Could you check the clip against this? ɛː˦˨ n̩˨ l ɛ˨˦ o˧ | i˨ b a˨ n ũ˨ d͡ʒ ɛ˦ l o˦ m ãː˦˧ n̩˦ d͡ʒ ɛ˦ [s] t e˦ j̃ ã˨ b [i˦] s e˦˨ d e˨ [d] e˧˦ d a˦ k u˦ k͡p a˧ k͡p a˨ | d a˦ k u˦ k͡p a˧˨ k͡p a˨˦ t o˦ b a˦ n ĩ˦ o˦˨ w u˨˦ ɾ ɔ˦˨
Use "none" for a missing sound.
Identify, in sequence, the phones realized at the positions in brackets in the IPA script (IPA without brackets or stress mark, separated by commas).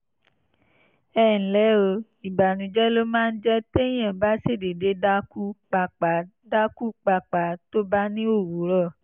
none, a˦, d